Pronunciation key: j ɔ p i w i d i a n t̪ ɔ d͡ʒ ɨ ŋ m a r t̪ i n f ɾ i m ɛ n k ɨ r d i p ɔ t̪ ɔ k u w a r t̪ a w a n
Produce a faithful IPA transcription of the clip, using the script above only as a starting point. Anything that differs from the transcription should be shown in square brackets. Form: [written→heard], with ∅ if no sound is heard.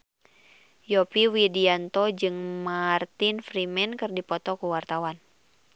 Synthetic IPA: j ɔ p i w i d i a n t̪ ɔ d͡ʒ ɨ ŋ m a r t̪ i n f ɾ i m ɛ n k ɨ r d i p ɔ t̪ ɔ k u w a r t̪ a w a n